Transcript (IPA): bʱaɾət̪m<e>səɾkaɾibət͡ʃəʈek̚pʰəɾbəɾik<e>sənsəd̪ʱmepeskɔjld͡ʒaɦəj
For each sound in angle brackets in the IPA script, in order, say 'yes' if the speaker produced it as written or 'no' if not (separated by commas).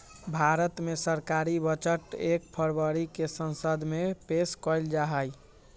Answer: yes, yes